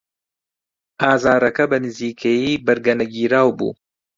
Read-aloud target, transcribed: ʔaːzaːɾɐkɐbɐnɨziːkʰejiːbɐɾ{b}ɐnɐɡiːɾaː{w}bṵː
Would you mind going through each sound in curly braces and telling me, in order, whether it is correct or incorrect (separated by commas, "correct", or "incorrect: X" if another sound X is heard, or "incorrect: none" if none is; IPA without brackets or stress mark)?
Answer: incorrect: ɡ, correct